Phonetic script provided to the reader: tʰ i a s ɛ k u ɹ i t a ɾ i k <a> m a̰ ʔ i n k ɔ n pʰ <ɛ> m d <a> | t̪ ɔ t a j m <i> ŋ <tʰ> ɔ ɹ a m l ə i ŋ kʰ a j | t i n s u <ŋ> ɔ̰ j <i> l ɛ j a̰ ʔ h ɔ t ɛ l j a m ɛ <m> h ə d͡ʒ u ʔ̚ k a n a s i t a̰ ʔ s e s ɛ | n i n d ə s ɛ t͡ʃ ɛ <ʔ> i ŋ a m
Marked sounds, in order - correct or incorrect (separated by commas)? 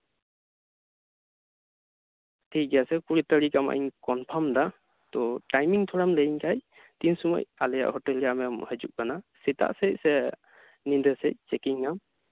correct, incorrect, correct, correct, correct, incorrect, incorrect, correct, incorrect